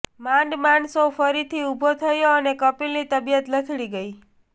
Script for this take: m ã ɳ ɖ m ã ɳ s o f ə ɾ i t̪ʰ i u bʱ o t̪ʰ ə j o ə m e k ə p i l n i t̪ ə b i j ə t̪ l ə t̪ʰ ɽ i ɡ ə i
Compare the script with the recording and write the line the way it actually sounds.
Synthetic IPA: m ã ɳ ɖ m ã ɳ s o f ə ɾ i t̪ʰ i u bʱ o t̪ʰ ə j o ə n e k ə p i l n i t̪ ə b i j ə t̪ l ə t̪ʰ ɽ i ɡ ə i